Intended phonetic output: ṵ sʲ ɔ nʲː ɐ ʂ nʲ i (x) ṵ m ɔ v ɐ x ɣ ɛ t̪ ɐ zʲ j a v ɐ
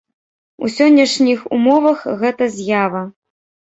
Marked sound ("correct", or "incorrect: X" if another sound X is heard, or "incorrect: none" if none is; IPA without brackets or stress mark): correct